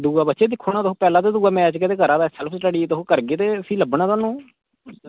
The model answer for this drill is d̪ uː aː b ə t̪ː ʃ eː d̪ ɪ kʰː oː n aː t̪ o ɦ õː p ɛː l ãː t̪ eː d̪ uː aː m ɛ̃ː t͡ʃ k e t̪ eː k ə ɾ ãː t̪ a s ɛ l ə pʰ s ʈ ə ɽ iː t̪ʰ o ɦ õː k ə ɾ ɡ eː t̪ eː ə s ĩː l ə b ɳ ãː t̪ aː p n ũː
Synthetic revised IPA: d̪ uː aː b ə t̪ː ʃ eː d̪ ɪ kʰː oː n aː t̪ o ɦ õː p ɛː l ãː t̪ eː d̪ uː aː m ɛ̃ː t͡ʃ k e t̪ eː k ə ɾ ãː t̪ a s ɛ l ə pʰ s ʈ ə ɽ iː t̪ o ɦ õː k ə ɾ ɡ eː t̪ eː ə s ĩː l ə b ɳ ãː t̪ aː n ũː